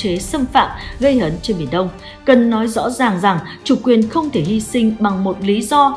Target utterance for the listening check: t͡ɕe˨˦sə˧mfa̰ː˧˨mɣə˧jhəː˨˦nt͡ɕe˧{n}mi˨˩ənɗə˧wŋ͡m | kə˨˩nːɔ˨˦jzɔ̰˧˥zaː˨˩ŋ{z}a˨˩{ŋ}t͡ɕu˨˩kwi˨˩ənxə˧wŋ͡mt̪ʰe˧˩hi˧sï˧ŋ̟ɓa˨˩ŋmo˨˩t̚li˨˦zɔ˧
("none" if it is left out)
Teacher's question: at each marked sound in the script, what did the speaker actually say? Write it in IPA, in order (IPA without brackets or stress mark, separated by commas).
n, z, ŋ